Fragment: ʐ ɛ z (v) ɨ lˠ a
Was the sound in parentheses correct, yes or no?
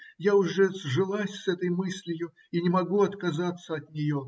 no